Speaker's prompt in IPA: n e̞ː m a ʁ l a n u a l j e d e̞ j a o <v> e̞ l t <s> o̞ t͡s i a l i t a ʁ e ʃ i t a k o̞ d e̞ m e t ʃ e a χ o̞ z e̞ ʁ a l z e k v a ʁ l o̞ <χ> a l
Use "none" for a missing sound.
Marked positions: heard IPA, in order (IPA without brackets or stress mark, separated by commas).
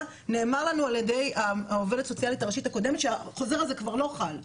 v, s, χ